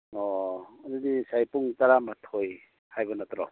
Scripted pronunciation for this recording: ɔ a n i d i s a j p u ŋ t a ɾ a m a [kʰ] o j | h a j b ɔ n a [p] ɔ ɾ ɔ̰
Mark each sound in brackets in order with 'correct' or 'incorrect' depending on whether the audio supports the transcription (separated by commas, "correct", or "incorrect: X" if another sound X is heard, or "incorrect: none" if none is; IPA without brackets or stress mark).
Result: incorrect: tʰ, incorrect: t